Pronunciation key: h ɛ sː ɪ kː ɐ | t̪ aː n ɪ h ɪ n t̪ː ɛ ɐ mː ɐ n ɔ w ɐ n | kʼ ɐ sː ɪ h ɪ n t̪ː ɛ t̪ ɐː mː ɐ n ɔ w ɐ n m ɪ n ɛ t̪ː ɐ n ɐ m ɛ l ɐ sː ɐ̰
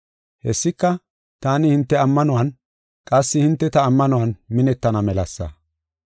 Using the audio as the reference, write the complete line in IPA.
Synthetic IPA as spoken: h ɛ sː ɪ kː ɐ | t̪ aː n ɪ h ɪ n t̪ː ɛ ɐ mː ɐ n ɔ w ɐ n | kʼ ɐ sː ɪ h ɪ n t̪ː ɛ t̪ ɐː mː ɐ n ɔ w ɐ n m ɪ n ɛ t̪ː ɐ n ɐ m ɛ l ɐ sː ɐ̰

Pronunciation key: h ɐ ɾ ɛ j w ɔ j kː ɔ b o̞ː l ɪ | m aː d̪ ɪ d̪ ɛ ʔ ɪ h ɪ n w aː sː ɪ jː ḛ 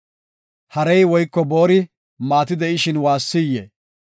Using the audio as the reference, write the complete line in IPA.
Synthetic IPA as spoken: h ɐ ɾ ɛ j w ɔ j kː ɔ b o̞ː ɾ ɪ | m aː t̪ ɪ d̪ ɛ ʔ ɪ ʃ ɪ n w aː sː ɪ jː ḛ

